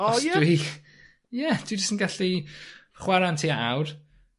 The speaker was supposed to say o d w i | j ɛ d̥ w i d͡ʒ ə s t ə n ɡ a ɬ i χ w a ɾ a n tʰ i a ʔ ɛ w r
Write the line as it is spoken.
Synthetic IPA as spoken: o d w i | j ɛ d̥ w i d͡ʒ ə s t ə n ɡ a ɬ i χ w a ɾ a n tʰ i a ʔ a w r